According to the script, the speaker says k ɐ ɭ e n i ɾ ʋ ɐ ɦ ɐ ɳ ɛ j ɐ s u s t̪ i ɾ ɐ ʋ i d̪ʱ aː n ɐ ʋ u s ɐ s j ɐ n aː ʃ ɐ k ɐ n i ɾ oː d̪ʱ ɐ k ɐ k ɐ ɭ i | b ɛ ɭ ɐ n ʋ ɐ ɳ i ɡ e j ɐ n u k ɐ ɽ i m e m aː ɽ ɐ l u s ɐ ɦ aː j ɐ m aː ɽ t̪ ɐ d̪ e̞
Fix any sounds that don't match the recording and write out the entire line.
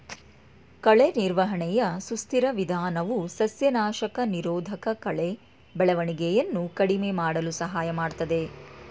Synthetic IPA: k ɐ ɭ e n i ɾ ʋ ɐ ɦ ɐ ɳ ɛ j ɐ s u s t̪ i ɾ ɐ ʋ i d̪ʱ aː n ɐ ʋ u s ɐ s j ɐ n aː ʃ ɐ k ɐ n i ɾ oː d̪ʱ ɐ k ɐ k ɐ ɭ e | b ɛ ɭ ɐ ʋ ɐ ɳ i ɡ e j ɐ nː u k ɐ ɽ i m e m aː ɽ ɐ l u s ɐ ɦ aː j ɐ m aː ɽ t̪ ɐ d̪ e̞

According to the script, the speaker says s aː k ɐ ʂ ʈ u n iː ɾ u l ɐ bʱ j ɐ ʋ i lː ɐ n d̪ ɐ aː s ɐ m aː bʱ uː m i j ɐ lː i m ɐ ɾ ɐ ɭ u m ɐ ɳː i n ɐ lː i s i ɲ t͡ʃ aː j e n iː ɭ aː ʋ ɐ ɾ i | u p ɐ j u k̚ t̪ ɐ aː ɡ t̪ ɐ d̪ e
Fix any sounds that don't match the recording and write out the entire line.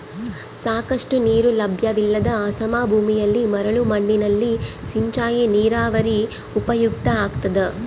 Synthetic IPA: s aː k ɐ ʂ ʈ u n iː ɾ u l ɐ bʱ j ɐ ʋ i lː ɐ d̪ ɐ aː s ɐ m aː bʱ uː m i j ɐ lː i m ɐ ɾ ɐ ɭ u m ɐ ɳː i n ɐ lː i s i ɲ t͡ʃ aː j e n iː ɾ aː ʋ ɐ ɾ i | u p ɐ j u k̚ t̪ ɐ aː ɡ t̪ ɐ d̪ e

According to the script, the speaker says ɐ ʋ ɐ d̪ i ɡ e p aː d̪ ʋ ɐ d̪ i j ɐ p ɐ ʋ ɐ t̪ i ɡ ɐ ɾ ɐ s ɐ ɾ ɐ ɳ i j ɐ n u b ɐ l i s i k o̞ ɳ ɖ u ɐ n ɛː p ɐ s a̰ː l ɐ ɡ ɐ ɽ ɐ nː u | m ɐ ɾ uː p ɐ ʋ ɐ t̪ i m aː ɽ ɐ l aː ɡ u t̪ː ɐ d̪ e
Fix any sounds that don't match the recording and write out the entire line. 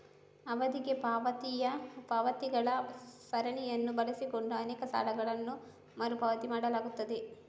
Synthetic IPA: ɐ ʋ ɐ d̪ i ɡ e p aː ʋ ɐ t̪ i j ɐ p ɐ ʋ ɐ t̪ i ɡ ɐ ɭ ɐ s ɐ ɾ ɐ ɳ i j ɐ nː u b ɐ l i s i k o̞ ɳ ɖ u ɐ n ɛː k ɐ s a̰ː l ɐ ɡ ɐ ɭ ɐ nː u | m ɐ ɾ u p ɐ ʋ ɐ t̪ i m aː ɽ ɐ l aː ɡ u t̪ː ɐ d̪ e

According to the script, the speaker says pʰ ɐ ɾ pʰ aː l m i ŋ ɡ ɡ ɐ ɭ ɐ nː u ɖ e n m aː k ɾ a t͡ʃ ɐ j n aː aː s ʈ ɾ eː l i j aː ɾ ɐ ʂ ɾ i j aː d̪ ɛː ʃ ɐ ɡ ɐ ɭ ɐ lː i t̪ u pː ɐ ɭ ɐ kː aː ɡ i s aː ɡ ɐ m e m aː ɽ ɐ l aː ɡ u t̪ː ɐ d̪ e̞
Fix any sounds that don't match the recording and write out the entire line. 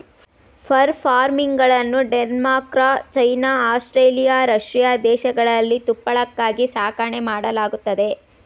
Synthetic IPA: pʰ ɐ ɾ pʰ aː ɾ m i ŋ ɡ ɡ ɐ ɭ ɐ nː u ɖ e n m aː k ɾ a t͡ʃ ɐ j n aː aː s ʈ ɾ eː l i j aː ɾ ɐ ʂ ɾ i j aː d̪ ɛː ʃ ɐ ɡ ɐ ɭ ɐ lː i t̪ u pː ɐ ɭ ɐ kː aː ɡ i s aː k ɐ ɳ e m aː ɽ ɐ l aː ɡ u t̪ː ɐ d̪ e̞

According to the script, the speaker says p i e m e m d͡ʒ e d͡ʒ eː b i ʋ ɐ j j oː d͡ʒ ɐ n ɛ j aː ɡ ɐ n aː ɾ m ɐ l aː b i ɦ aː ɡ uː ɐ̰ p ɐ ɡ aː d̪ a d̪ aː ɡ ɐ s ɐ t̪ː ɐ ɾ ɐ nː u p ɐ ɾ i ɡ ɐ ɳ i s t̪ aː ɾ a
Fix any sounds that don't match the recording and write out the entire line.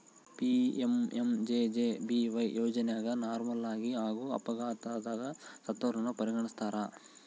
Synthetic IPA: p i e m e m d͡ʒ e d͡ʒ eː b i ʋ ɐ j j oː d͡ʒ ɐ n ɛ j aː ɡ ɐ n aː ɾ m ɐ l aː ɡ i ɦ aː ɡ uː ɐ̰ p ɐ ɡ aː t̪ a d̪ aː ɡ ɐ s ɐ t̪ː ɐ ɾ ɐ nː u p ɐ ɾ i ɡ ɐ ɳ i s t̪ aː ɾ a

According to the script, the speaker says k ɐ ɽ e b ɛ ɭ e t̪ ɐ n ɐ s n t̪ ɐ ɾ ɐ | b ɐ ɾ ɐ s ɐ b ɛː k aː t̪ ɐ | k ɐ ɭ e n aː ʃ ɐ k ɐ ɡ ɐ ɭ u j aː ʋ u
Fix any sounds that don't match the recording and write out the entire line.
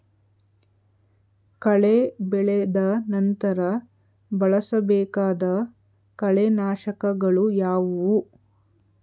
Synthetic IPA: k ɐ ɭ e b ɛ ɭ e d̪ ɐ n ɐ n t̪ ɐ ɾ ɐ | b ɐ ɭ ɐ s ɐ b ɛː k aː d̪ ɐ | k ɐ ɭ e n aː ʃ ɐ k ɐ ɡ ɐ ɭ u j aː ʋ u

